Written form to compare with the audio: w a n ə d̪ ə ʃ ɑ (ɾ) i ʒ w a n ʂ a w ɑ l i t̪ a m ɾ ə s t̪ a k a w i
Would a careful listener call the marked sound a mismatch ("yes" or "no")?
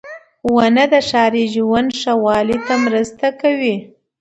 no